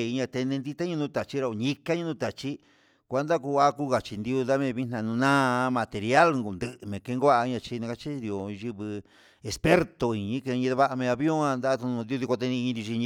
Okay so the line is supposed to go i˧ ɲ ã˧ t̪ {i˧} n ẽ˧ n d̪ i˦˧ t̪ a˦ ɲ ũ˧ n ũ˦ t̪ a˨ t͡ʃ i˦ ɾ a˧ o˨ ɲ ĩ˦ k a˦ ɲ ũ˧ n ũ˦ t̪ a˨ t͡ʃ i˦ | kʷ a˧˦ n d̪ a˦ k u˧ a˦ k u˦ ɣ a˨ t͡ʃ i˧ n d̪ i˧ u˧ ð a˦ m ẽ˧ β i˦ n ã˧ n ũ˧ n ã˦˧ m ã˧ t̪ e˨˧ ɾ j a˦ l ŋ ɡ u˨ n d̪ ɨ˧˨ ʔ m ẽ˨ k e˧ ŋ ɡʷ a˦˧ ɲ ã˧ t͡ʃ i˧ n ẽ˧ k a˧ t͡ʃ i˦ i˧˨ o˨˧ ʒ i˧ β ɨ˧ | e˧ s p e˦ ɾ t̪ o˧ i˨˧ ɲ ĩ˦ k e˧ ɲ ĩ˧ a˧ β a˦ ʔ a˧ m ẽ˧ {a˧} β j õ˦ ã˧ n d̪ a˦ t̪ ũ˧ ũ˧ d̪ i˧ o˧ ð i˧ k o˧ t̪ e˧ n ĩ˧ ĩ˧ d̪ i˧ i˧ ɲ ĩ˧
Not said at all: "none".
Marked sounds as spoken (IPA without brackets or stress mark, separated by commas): e˧, a˧